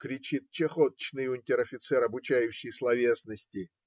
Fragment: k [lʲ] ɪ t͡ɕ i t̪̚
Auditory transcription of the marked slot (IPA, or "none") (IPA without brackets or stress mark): ɾʲ